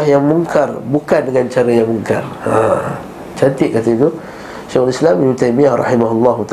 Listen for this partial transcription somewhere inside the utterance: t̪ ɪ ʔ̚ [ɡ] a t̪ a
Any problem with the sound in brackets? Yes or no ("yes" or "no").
yes